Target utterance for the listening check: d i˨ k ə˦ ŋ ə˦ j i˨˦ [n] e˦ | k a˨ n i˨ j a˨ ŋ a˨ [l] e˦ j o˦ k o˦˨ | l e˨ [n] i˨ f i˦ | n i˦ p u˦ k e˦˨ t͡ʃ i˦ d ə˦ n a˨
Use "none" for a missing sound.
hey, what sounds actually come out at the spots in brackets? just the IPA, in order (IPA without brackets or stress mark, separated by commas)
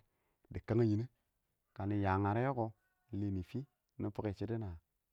n, ɾ, n